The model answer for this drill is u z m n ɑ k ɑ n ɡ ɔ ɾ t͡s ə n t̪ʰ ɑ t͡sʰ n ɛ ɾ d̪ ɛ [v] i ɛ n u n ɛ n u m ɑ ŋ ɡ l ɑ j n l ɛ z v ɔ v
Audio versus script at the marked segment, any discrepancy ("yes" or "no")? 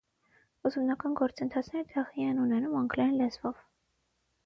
yes